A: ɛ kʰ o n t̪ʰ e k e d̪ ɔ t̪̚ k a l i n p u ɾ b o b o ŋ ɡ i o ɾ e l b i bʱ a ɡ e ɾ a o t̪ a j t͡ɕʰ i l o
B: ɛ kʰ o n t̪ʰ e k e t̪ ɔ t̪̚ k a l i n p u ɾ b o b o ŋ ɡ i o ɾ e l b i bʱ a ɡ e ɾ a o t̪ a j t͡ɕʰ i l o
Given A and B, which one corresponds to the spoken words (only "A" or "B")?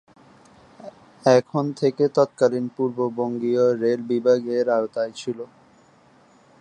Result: B